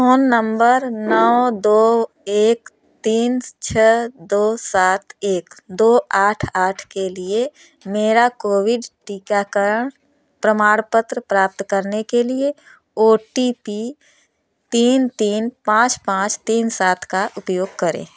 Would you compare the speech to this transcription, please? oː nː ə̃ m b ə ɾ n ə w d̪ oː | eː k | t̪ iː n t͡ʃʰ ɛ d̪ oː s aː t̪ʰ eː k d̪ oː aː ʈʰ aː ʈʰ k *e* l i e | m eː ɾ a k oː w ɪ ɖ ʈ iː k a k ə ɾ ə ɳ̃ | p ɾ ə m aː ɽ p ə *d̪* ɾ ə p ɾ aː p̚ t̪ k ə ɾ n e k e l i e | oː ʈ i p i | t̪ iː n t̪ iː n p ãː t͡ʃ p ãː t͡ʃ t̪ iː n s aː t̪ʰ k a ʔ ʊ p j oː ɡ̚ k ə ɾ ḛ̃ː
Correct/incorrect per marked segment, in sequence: correct, incorrect: t̪

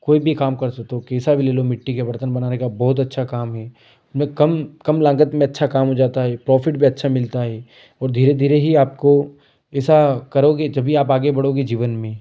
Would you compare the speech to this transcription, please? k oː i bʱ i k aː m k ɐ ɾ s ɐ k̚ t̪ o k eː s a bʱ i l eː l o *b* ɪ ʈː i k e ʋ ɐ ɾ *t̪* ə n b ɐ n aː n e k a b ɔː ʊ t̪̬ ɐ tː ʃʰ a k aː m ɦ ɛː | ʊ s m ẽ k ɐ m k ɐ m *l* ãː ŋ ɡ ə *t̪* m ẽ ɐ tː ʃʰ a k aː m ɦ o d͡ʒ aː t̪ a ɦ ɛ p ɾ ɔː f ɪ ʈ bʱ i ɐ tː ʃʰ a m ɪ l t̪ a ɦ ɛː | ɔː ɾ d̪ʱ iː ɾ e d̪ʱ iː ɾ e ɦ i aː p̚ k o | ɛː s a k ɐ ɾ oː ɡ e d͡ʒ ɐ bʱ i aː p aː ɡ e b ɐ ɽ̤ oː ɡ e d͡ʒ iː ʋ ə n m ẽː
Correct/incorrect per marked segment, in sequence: incorrect: m, correct, correct, correct

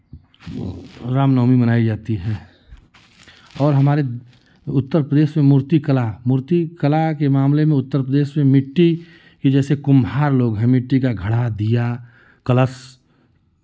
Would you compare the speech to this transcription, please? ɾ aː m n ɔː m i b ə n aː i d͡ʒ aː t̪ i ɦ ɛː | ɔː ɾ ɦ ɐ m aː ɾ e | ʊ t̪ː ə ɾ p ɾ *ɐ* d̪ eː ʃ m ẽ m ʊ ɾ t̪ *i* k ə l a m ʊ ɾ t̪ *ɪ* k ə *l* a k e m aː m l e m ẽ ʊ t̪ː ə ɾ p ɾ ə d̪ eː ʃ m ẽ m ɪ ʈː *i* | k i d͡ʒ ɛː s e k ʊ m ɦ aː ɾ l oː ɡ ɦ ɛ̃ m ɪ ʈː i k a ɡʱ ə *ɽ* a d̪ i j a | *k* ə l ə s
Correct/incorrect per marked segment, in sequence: incorrect: ə, correct, incorrect: i, correct, correct, correct, correct

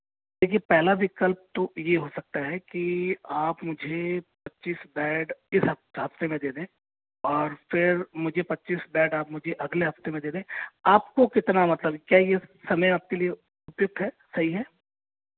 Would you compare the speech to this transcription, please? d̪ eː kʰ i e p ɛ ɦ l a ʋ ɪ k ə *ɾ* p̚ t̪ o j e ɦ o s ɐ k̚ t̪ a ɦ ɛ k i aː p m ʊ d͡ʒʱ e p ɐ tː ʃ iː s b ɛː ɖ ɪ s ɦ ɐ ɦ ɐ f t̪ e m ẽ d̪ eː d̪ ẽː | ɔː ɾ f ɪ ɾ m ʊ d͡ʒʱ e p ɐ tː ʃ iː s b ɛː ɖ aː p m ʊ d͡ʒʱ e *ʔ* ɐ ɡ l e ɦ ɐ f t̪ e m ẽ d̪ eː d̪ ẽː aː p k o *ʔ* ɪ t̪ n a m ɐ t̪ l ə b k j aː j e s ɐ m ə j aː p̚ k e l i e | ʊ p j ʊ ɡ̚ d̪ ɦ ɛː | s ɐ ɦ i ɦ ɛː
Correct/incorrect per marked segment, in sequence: incorrect: l, correct, incorrect: k

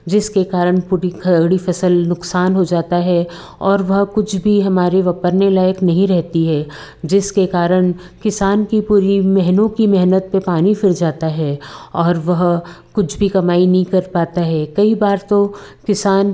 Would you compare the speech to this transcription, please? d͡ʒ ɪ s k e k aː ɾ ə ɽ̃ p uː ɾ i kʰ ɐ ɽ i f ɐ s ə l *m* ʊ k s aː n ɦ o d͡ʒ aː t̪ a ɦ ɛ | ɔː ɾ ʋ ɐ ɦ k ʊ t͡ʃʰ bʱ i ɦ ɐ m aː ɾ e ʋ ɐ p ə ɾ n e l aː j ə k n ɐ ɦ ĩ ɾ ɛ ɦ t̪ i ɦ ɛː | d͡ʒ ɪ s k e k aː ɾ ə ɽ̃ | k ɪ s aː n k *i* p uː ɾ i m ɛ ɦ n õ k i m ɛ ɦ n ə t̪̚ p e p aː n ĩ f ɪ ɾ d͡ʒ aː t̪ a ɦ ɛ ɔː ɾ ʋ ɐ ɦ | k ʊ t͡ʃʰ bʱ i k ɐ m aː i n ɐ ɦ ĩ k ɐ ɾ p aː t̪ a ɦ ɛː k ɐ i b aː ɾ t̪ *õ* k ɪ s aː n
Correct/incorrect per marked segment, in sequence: incorrect: n, correct, incorrect: o

